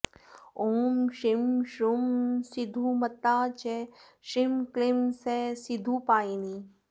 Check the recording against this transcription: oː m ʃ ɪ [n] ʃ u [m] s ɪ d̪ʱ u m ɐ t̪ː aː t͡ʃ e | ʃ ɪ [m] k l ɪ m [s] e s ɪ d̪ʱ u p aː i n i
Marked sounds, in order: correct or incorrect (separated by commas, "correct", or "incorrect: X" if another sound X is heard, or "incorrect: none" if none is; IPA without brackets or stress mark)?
incorrect: m, correct, correct, correct